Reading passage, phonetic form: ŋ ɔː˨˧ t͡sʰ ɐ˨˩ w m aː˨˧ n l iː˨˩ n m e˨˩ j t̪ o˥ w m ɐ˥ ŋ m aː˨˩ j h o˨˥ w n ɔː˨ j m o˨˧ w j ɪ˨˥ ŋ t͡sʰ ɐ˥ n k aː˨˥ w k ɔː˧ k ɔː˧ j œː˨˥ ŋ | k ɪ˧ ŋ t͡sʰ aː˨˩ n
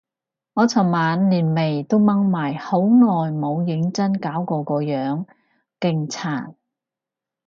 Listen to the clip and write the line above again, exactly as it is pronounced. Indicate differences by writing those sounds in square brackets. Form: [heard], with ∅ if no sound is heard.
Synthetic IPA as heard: ŋ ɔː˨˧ t͡sʰ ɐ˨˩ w m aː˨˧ n l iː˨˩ n m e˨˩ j t̪ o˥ w m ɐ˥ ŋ m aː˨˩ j h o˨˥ w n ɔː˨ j m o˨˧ w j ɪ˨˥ ŋ [t͡s] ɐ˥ n k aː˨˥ w k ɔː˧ k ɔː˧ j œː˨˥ ŋ | k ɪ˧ ŋ t͡sʰ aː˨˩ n

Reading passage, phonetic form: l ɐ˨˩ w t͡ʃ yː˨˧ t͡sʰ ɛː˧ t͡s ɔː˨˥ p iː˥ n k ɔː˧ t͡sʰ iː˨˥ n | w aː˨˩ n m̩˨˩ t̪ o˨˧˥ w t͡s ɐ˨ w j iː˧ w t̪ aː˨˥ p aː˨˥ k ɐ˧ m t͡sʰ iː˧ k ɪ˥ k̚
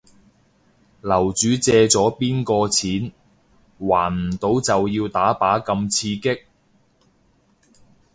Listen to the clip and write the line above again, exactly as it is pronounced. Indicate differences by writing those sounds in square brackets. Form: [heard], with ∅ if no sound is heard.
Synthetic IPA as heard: l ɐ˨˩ w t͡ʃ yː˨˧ [t͡s] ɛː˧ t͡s ɔː˨˥ p iː˥ n k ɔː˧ t͡sʰ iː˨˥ n | w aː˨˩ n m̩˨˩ t̪ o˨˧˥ w t͡s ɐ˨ w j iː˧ w t̪ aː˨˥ p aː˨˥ k ɐ˧ m t͡sʰ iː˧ k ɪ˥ k̚

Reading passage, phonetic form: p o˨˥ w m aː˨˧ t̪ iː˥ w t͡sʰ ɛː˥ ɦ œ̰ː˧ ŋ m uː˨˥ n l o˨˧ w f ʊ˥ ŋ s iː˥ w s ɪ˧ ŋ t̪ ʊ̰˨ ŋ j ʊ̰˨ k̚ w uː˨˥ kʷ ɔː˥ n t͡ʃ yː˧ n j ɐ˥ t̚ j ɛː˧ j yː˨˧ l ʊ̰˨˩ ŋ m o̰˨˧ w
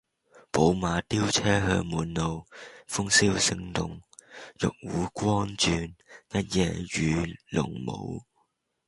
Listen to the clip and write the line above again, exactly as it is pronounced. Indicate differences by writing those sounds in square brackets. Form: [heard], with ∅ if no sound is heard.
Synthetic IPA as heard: p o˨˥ w m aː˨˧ t̪ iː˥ w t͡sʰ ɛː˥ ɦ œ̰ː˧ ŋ m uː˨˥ n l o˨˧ w f ʊ˥ ŋ s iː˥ w s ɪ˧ ŋ t̪ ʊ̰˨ ŋ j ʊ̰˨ k̚ w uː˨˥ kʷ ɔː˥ n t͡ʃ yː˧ n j ɐ˥ t̚ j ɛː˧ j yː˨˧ l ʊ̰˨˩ ŋ m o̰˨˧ w

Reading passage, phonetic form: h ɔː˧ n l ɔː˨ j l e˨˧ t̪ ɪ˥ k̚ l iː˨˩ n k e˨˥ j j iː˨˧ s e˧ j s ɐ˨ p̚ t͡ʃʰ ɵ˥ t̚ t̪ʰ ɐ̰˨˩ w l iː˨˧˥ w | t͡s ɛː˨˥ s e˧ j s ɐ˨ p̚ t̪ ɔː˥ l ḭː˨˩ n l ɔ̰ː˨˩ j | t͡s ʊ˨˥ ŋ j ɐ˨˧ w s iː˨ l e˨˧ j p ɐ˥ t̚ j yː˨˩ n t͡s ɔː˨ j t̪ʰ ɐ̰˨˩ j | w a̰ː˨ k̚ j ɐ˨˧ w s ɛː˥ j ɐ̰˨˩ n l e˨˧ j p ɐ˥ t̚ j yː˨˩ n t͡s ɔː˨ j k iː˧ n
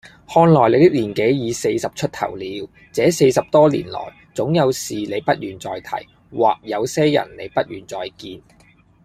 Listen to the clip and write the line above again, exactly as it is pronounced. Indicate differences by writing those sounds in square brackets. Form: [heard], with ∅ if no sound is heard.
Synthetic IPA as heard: h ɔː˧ n l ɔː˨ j l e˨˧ t̪ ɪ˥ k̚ l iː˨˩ n k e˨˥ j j iː˨˧ s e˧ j s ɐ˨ p̚ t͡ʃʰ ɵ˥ t̚ t̪ʰ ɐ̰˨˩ w l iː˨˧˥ w | t͡s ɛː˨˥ s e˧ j s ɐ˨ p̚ t̪ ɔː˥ l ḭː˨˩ n l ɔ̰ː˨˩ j | t͡s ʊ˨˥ ŋ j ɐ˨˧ w s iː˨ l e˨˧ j p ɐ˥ t̚ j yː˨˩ n t͡s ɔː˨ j t̪ʰ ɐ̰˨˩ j | w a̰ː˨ k̚ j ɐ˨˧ w s ɛː˥ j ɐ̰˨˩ n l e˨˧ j p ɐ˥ t̚ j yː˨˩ n t͡s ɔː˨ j k iː˧ n

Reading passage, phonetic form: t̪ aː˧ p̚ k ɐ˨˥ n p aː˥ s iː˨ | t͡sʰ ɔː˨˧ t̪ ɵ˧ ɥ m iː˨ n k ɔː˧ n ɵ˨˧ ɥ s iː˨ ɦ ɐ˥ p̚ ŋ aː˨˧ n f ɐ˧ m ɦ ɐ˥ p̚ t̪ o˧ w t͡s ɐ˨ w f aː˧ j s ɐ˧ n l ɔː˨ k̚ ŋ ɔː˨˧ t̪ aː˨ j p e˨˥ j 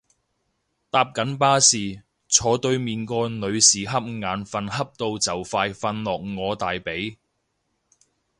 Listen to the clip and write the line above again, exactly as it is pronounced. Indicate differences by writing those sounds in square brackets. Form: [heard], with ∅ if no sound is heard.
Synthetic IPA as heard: t̪ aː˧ p̚ k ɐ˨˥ n p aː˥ s iː˨ | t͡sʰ ɔː˨˧ t̪ ɵ˧ ɥ m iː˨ n k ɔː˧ n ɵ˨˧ ɥ s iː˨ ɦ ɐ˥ p̚ ŋ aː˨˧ n f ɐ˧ [n] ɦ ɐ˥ p̚ t̪ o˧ w t͡s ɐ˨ w f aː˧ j [f] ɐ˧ n l ɔː˨ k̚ ŋ ɔː˨˧ t̪ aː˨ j p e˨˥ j

